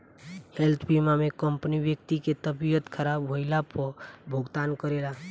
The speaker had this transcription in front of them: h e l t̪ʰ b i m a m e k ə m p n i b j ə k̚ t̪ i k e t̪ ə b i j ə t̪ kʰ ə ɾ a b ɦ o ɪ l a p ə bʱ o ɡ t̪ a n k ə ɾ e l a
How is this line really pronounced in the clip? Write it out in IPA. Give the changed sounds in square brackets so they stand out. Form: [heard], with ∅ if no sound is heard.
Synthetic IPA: h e l t̪ʰ b i m a m e k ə m p n i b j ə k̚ t̪ i k e t̪ ə b i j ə t̪ kʰ ə ɾ a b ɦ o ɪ l a p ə bʱ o ɡ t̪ a n k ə ɾ e l a